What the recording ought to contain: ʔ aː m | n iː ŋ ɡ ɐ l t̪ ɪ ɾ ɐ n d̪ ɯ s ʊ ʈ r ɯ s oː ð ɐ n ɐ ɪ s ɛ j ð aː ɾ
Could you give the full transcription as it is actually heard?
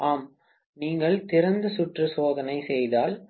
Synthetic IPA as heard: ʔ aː m | n iː ŋ ɡ ɐ ɭ t̪ ɪ ɾ ɐ n d̪ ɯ s ʊ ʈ r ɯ s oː ð ɐ n ɐ ɪ s ɛ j ð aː l